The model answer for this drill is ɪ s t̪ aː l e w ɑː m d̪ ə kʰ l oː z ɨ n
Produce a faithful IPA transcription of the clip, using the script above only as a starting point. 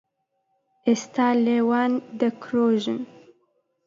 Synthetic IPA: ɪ s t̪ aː l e w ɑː n d̪ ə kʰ ɾ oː ʒ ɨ n

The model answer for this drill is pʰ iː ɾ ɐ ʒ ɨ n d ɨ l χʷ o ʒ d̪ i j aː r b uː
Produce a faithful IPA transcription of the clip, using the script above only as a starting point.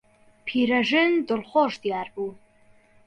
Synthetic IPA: pʰ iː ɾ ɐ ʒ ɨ n d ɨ l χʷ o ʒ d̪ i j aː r b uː

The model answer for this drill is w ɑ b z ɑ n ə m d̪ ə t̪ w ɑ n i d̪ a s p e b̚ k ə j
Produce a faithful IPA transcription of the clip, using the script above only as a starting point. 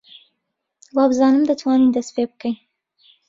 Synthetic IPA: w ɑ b z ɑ n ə m d̪ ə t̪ w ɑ n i d̪ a s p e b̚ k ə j

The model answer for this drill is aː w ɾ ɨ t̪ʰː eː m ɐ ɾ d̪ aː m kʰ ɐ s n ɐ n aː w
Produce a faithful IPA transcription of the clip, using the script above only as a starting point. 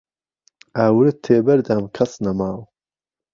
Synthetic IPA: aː w ɾ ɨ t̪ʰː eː b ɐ ɾ d̪ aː m kʰ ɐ s n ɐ m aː w

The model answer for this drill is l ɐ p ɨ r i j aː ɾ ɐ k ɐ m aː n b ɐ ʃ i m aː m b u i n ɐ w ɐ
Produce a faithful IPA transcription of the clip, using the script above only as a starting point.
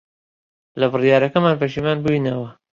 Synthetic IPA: l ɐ b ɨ r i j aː ɾ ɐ k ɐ m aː n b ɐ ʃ i m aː n b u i n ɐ w ɐ

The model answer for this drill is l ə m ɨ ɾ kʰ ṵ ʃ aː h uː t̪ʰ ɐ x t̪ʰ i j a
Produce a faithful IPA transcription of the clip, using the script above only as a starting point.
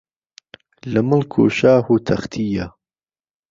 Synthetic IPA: l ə m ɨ l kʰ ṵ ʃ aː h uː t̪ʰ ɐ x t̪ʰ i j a

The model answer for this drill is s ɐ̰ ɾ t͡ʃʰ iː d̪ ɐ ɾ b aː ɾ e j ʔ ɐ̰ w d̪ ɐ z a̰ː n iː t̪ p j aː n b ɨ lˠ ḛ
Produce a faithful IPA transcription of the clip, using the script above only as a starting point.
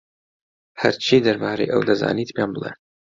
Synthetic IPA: h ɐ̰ ɾ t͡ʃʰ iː d̪ ɐ ɾ b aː ɾ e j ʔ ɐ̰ w d̪ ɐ z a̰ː n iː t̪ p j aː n b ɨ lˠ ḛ

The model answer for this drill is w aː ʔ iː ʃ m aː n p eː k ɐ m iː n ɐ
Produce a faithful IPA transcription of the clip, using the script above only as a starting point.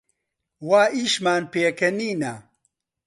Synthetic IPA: w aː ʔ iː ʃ m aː n p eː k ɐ n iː n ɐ

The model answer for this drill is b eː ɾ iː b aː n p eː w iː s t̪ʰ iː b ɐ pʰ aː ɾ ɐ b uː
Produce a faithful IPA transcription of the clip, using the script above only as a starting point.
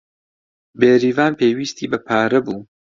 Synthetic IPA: b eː ɾ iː v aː n p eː w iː s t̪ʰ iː b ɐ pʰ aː ɾ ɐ b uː

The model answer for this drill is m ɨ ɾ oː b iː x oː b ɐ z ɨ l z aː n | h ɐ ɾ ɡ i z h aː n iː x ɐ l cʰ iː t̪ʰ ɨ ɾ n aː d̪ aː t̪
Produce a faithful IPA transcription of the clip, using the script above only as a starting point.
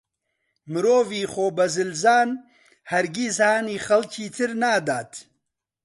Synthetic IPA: m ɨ ɾ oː v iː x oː b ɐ z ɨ l z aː n | h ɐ ɾ ɡ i z h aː n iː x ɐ l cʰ iː t̪ʰ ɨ ɾ n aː d̪ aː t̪

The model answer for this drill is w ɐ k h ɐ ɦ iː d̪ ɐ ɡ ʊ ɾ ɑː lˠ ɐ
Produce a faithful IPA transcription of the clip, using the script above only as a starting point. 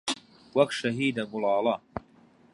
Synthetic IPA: w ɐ k ʃ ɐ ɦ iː d̪ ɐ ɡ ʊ l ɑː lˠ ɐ

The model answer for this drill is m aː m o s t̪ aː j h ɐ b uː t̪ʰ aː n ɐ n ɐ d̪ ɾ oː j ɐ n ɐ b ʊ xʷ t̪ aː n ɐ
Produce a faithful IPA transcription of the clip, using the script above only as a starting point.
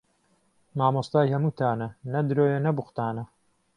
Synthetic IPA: m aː m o s t̪ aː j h ɐ m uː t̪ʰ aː n ɐ n ɐ d̪ ɾ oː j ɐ n ɐ b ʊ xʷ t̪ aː n ɐ

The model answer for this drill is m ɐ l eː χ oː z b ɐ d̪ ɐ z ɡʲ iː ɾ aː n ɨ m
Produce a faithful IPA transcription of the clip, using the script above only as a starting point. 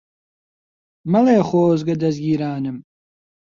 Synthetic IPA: m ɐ l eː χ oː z ɡ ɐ d̪ ɐ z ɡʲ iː ɾ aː n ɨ m

